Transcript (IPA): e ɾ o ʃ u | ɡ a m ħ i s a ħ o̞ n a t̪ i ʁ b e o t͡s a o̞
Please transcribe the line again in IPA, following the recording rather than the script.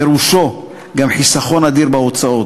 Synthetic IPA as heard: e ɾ u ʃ o | ɡ a m ħ i s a χ o̞ n a d̪ i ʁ b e o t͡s a o̞